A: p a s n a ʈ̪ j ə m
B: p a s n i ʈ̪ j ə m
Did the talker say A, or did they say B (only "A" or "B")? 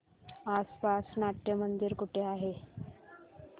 A